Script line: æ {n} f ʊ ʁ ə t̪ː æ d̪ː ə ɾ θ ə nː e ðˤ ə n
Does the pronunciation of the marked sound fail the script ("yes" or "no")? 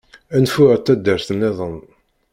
no